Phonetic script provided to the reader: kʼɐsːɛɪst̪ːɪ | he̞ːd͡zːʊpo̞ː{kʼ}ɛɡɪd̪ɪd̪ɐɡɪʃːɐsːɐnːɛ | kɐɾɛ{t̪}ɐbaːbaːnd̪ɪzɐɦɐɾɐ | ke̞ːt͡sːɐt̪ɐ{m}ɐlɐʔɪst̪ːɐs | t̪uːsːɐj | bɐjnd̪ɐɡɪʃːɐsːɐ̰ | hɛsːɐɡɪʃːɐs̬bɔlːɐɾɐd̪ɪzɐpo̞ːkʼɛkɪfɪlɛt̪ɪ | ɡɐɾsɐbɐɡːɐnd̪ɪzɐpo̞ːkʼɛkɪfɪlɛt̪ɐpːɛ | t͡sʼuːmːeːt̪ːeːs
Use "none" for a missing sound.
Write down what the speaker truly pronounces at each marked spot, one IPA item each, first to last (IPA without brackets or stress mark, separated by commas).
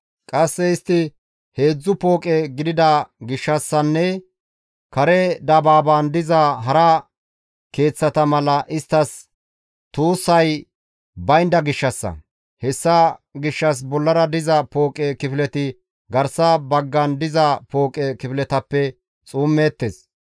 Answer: kʼ, d̪, m